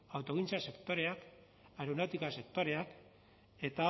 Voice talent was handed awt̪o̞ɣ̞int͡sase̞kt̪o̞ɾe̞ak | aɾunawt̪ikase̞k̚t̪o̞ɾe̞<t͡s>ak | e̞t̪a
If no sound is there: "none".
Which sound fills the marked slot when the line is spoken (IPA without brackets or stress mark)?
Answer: none